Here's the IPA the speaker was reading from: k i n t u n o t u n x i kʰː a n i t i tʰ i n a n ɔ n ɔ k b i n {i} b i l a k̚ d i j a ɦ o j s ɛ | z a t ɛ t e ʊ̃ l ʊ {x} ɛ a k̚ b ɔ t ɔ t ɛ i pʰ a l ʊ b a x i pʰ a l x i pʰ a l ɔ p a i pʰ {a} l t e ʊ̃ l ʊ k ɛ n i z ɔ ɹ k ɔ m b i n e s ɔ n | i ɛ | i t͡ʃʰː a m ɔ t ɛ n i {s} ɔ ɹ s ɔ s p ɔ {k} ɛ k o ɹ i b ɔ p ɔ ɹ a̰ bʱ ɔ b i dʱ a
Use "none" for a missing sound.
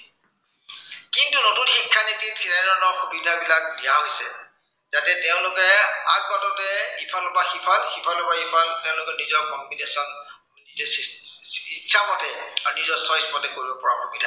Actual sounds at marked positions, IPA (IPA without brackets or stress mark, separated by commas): a, k, a, z, t